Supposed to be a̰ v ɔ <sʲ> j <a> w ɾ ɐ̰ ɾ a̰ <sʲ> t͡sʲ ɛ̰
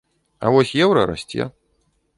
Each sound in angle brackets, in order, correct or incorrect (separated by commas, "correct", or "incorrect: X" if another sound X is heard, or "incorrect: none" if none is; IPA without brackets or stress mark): correct, incorrect: ɛ, correct